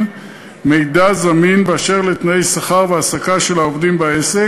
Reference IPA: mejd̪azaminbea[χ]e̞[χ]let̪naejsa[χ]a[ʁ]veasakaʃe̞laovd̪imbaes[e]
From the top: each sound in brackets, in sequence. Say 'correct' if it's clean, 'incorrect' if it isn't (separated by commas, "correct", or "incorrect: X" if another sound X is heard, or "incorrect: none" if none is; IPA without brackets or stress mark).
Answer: incorrect: ʃ, incorrect: ʁ, correct, correct, correct